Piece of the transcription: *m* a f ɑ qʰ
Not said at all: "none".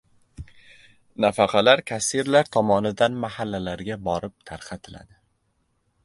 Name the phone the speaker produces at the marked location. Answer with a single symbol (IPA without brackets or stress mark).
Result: n